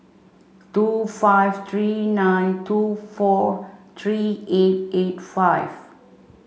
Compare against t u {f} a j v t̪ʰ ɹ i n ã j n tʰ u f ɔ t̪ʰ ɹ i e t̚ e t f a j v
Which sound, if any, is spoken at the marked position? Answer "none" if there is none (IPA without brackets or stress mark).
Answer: f